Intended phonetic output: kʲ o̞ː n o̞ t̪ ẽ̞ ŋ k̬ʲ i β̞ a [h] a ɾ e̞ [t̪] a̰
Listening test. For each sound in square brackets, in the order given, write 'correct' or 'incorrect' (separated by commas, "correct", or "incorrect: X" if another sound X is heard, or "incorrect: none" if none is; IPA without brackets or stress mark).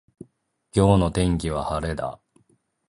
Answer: correct, incorrect: d̪